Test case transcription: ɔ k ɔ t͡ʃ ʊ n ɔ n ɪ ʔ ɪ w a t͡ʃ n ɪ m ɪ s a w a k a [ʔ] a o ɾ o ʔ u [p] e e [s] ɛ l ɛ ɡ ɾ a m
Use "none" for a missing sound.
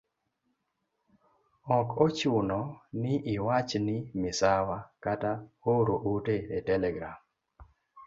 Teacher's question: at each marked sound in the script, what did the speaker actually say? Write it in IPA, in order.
t, t, t

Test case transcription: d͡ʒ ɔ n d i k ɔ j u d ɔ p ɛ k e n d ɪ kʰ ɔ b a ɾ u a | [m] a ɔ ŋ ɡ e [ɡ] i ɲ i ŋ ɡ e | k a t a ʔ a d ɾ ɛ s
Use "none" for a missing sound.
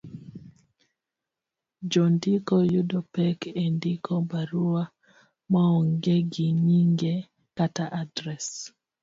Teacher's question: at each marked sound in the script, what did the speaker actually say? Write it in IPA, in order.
m, ɡ

